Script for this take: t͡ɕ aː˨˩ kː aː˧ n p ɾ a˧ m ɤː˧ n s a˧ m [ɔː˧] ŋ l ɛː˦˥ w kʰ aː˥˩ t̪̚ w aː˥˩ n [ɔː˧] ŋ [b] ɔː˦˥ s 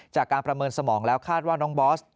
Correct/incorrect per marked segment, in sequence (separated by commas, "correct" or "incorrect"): incorrect, incorrect, correct